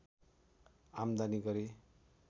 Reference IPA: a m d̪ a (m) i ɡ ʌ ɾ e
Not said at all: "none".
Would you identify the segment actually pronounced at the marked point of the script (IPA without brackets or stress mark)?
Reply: n